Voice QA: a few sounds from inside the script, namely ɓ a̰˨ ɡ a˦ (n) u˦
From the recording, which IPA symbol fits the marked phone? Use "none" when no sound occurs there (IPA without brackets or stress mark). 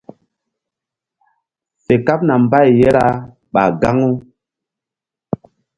ŋ